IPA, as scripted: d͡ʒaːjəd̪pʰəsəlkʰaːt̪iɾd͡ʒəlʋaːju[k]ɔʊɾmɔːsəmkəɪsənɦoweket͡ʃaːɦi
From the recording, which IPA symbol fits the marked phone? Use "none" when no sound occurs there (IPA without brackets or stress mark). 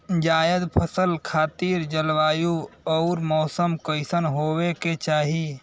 none